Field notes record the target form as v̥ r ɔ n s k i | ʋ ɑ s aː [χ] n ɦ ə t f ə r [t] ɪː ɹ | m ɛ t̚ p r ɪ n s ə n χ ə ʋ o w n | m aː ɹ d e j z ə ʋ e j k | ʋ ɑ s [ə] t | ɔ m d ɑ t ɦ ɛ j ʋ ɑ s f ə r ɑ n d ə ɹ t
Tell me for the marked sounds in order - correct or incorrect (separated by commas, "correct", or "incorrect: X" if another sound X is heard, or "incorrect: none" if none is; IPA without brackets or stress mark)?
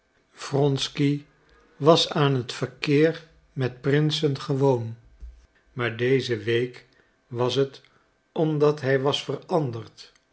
incorrect: none, incorrect: k, correct